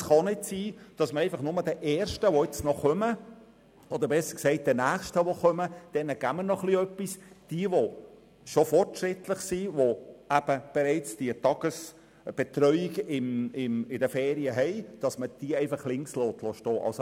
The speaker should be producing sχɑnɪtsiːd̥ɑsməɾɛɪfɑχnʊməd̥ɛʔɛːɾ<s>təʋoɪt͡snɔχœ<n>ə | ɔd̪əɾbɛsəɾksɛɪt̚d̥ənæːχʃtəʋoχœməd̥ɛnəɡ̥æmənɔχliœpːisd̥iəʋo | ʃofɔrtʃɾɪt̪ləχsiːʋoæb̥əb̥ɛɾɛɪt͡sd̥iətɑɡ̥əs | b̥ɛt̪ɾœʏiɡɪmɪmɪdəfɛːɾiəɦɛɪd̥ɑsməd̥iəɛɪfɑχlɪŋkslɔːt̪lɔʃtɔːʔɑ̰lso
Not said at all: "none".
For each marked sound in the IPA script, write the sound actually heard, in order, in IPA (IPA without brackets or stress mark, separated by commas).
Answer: ʃ, m